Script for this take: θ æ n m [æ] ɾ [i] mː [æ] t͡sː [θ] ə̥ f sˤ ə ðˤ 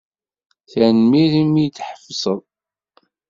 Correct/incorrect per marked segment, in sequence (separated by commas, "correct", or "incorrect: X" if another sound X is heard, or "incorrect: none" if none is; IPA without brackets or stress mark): incorrect: i, correct, incorrect: i, incorrect: ħ